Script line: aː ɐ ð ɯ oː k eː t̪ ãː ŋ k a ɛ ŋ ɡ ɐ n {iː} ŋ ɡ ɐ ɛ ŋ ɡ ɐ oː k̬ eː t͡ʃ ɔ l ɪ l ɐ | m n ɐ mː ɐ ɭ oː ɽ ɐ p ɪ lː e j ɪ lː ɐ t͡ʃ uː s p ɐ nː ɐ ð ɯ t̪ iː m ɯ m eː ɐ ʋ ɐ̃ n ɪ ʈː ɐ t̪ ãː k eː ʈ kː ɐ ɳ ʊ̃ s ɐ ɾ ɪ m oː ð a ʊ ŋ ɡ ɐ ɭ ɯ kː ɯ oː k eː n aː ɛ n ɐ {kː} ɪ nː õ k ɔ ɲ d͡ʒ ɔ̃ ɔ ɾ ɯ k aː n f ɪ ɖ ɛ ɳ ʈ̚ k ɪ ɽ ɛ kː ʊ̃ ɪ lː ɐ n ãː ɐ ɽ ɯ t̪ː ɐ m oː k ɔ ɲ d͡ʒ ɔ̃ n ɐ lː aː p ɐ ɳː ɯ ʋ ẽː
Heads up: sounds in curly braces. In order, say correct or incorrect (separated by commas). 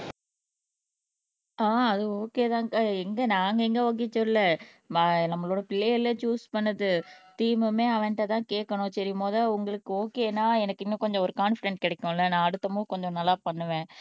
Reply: incorrect, correct